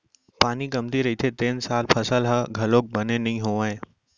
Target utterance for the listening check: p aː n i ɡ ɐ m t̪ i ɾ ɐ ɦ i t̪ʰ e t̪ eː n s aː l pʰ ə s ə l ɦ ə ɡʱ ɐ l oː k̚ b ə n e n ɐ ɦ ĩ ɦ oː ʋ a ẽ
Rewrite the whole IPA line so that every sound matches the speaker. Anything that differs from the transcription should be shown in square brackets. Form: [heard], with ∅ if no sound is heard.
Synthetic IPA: p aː n i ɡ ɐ m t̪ i ɾ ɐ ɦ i t̪ʰ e t̪ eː n s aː l pʰ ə s ə l ɦ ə ɡʱ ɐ l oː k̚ b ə n e n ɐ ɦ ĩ ɦ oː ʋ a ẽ